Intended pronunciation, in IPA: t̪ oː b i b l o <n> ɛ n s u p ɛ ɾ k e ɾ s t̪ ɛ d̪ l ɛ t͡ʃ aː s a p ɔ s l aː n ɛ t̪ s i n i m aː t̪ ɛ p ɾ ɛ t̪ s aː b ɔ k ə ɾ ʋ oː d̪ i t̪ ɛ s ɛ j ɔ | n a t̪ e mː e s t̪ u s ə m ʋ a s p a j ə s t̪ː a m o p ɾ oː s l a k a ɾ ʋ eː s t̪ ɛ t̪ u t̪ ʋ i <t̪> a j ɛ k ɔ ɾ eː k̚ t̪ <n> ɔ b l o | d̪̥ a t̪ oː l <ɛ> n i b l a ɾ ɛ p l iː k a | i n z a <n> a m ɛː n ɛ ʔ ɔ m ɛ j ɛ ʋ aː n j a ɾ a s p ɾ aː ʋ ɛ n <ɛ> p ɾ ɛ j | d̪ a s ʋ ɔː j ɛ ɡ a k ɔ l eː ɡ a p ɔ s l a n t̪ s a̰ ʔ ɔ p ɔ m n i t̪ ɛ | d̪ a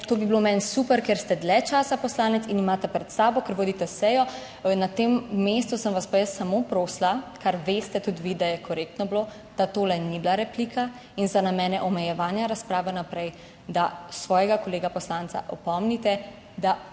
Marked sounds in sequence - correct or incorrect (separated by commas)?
incorrect, incorrect, correct, correct, correct, incorrect